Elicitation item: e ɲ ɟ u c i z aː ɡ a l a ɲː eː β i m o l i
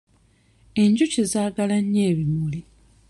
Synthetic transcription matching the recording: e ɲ ɟ u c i z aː ɡ a l a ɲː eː β i m u l i